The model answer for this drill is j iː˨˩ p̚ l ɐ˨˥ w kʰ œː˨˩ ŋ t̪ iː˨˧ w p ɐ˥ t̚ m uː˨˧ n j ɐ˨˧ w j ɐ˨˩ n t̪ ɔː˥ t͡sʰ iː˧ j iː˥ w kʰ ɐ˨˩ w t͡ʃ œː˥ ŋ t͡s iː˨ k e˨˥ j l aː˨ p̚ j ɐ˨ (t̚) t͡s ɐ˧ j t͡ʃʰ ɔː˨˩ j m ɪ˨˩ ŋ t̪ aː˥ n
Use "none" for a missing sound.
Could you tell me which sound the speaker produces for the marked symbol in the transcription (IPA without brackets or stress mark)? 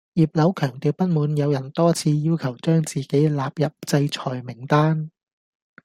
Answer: p̚